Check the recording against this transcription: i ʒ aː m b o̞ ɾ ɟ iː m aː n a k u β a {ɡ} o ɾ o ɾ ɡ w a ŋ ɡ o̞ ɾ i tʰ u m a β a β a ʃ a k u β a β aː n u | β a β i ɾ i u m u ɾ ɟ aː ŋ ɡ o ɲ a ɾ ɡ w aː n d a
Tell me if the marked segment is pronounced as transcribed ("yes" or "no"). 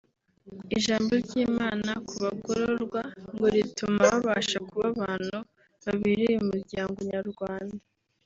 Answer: yes